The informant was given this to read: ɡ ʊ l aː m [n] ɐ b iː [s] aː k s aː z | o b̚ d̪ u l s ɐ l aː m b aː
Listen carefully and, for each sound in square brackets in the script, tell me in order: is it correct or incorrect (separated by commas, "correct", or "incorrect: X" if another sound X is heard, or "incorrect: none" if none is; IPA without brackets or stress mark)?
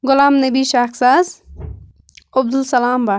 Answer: correct, incorrect: ʃ